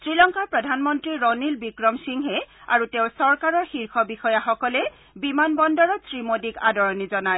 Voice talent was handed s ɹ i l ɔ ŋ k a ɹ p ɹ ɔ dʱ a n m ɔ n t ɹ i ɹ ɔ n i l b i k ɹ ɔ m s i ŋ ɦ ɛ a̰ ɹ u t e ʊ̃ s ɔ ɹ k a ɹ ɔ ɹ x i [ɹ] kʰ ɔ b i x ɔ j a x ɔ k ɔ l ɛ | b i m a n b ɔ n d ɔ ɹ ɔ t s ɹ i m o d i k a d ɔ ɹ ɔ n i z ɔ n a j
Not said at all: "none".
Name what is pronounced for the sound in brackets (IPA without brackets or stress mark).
ɹ